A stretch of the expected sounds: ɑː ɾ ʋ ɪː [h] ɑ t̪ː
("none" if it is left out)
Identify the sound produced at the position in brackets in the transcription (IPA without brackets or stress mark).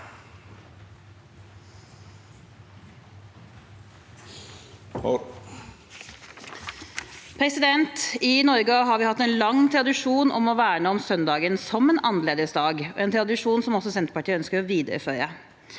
h